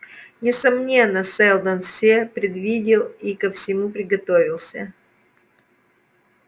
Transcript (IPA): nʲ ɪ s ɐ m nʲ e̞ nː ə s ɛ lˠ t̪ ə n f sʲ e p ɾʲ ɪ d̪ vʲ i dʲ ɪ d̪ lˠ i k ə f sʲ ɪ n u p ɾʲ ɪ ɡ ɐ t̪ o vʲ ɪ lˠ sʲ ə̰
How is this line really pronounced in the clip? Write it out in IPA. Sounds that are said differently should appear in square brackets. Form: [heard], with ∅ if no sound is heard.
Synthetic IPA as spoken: nʲ ɪ s ɐ m nʲ e̞ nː ə s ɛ lˠ [d̪] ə n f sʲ e p ɾʲ ɪ d̪ vʲ i dʲ ɪ [∅] lˠ i k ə f sʲ ɪ [m] u p ɾʲ ɪ ɡ ɐ t̪ o vʲ ɪ lˠ sʲ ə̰